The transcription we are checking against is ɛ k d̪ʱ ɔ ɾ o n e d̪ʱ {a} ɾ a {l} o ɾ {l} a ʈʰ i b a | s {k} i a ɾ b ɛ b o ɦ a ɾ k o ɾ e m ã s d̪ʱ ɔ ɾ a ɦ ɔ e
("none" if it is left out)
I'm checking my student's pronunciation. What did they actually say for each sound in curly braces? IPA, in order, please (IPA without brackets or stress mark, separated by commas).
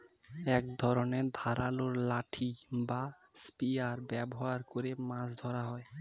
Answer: a, l, l, p